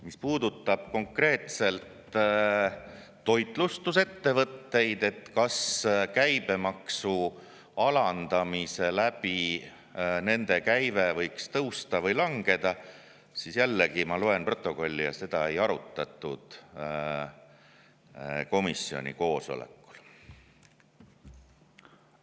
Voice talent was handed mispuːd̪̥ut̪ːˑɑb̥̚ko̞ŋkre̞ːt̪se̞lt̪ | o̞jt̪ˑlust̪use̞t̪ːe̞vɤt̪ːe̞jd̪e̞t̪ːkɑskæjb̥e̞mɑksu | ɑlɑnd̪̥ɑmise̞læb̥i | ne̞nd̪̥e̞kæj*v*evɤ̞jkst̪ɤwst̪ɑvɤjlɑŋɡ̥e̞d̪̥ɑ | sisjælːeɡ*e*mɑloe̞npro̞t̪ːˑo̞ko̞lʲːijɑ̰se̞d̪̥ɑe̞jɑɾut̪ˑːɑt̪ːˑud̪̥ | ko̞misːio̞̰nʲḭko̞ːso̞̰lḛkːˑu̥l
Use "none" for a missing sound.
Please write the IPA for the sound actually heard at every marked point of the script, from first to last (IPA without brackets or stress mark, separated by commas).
v, i